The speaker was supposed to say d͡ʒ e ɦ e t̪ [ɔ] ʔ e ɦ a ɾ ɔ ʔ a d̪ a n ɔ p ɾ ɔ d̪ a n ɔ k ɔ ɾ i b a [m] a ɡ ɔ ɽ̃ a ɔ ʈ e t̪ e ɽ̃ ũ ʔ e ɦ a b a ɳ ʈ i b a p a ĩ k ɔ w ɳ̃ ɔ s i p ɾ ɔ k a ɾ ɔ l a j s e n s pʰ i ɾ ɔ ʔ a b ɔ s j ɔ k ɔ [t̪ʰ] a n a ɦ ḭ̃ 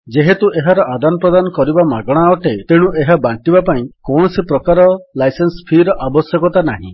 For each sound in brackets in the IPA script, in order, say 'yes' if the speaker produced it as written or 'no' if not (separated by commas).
no, yes, no